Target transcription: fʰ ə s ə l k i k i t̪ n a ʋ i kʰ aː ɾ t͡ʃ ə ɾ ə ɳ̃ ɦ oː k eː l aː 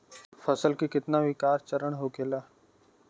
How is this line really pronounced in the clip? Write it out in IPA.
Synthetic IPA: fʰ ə s ə l k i k ɪ t̪ n a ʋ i k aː ɾ t͡ʃ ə ɾ ə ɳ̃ ɦ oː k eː l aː